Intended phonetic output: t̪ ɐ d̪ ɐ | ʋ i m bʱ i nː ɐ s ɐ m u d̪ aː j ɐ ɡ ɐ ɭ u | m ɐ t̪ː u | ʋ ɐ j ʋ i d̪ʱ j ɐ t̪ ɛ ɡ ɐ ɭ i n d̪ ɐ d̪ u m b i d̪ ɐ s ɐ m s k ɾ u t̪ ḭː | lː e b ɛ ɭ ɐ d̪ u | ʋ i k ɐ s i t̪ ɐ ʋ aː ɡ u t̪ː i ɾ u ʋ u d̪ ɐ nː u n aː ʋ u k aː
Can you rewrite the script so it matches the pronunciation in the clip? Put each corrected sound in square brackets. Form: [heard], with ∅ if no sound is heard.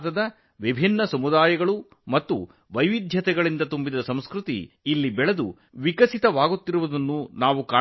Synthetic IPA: t̪ ɐ d̪ ɐ | ʋ i [∅] bʱ i nː ɐ s ɐ m u d̪ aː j ɐ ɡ ɐ ɭ u | m ɐ t̪ː u | ʋ ɐ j ʋ i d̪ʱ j ɐ t̪ ɛ ɡ ɐ ɭ i n d̪ ɐ [t̪] u m b i d̪ ɐ s ɐ m s k ɾ u t̪ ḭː | lː [i] b ɛ ɭ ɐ d̪ u | ʋ i k ɐ s i t̪ ɐ ʋ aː ɡ u t̪ː i ɾ u ʋ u d̪ ɐ nː u n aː ʋ u k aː